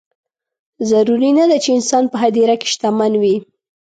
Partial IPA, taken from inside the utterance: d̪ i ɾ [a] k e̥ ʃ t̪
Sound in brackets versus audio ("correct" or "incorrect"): correct